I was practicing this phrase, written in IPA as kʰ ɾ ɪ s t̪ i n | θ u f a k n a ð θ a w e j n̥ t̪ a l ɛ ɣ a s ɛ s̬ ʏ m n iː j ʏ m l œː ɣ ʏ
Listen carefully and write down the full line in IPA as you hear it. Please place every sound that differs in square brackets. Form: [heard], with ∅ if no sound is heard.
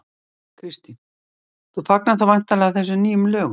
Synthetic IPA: kʰ ɾ ɪ s t̪ i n | θ u f a k n a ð θ a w [a] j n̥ t̪ a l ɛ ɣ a [θ] ɛ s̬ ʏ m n iː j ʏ m l œː ɣ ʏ